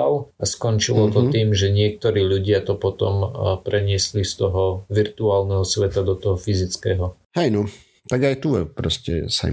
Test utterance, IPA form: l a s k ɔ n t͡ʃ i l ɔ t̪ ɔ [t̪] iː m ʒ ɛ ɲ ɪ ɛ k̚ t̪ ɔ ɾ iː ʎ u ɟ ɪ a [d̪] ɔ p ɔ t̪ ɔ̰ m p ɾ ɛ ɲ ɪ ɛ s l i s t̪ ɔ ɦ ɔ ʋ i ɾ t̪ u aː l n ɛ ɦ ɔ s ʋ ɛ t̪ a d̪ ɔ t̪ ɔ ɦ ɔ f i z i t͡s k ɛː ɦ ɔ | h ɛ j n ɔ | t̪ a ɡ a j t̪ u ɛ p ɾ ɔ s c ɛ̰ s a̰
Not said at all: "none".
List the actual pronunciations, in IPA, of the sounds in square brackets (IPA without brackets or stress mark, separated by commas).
t̪, t̪